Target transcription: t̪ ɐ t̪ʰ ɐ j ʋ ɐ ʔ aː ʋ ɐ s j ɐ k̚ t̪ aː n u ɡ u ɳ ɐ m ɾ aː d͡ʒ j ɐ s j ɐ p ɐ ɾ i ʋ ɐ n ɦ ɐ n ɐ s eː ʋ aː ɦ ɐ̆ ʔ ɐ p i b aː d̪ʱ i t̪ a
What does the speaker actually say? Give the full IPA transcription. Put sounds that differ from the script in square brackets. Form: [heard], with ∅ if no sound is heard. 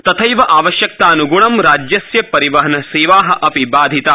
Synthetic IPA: t̪ ɐ t̪ʰ ɐ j ʋ ɐ ʔ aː ʋ ɐ [ʃ] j ɐ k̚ t̪ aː n u ɡ u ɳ ɐ m ɾ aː d͡ʒ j ɐ s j ɐ p ɐ ɾ i ʋ ɐ [∅] ɦ ɐ n ɐ s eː ʋ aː ɦ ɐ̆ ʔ ɐ p i b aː d̪ʱ i t̪ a